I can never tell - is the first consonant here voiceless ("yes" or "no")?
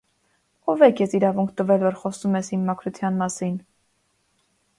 no